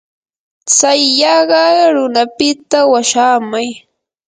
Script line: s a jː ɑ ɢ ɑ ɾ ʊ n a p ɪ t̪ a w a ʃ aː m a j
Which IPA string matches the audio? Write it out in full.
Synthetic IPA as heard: t͡s a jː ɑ ɢ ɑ ɾ ʊ n a p ɪ t̪ a w a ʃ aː m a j